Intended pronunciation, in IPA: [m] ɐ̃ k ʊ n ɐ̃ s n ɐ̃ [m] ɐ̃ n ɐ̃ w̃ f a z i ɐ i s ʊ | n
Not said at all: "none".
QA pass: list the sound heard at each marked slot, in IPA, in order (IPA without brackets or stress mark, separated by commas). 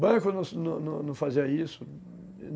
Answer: b, n